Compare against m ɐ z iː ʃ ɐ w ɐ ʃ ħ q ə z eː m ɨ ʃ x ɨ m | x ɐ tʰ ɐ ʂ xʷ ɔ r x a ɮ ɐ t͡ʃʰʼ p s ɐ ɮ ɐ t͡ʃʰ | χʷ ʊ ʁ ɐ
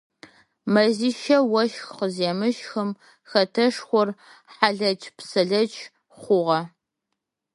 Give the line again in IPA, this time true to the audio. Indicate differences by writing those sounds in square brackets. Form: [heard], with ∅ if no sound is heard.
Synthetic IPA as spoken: m ɐ z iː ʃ ɐ w ɐ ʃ [x] q ə z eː m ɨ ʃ x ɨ m | x ɐ tʰ ɐ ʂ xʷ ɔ r [ħ] a ɮ ɐ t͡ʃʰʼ p s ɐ ɮ ɐ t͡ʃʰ | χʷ ʊ ʁ ɐ